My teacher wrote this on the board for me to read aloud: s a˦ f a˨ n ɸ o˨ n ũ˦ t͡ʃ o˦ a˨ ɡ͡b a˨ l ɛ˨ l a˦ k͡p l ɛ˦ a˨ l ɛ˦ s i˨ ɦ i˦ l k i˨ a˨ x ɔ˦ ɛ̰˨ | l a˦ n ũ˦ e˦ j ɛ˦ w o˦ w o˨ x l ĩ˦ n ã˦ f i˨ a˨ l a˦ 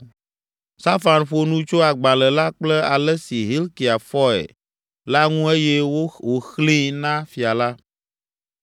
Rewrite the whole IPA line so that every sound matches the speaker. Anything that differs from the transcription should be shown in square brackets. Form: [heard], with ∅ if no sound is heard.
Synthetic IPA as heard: s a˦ f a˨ n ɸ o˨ n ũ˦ t͡ʃ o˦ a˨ ɡ͡b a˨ l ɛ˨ l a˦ k͡p l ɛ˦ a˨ l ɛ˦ s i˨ ɦ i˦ l k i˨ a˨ [f] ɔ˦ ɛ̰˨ | l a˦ [ŋ] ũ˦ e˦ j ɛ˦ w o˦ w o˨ x l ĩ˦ n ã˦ f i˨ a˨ l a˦